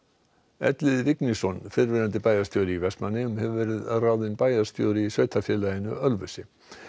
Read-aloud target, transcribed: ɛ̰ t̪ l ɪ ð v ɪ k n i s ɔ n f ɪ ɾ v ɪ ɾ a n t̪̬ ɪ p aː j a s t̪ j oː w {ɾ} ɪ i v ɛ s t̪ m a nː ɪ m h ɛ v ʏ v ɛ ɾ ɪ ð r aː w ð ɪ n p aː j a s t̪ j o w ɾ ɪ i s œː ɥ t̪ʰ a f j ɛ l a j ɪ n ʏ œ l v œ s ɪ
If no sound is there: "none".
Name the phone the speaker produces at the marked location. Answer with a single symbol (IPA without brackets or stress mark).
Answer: ɾ